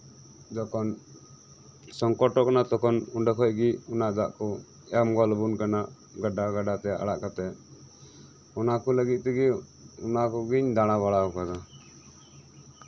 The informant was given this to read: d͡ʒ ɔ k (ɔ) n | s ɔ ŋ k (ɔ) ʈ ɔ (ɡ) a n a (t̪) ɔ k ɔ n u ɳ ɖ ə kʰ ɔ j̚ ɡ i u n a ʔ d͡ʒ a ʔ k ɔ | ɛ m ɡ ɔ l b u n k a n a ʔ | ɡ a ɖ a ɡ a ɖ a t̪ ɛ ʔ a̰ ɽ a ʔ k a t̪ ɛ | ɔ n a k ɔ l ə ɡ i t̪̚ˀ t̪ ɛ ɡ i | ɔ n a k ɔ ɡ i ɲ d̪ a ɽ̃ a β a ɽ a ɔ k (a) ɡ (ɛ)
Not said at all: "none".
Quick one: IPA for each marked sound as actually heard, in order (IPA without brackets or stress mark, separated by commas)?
ɔ, ɔ, k, t̪, a, a